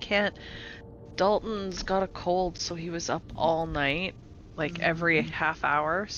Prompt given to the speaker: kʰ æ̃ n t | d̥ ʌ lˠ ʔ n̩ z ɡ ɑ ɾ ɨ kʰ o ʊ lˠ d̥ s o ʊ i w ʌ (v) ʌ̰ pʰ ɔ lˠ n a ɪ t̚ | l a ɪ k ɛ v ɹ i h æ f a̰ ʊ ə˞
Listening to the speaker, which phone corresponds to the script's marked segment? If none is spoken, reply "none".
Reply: z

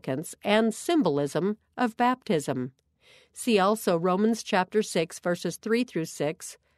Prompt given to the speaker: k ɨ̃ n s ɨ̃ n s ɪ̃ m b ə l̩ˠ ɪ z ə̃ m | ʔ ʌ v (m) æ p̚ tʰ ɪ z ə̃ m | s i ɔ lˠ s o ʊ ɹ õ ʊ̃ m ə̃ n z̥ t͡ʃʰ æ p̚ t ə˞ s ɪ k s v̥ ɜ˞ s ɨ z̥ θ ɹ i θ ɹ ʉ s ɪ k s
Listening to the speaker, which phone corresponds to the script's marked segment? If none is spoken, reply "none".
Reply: b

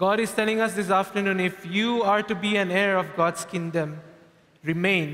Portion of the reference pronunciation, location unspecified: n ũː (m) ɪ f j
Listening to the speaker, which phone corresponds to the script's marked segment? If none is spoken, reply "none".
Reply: n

